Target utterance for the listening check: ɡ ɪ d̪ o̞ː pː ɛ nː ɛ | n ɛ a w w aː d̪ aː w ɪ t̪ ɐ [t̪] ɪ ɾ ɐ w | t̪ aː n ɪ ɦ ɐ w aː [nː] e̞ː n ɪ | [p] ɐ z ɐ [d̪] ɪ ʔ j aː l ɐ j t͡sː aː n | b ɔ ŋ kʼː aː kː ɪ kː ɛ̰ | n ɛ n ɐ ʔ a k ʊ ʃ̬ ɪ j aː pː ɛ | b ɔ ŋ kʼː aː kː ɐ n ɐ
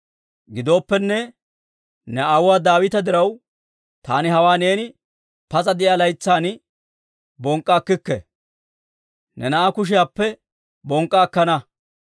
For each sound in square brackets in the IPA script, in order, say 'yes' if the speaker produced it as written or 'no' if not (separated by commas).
no, no, yes, yes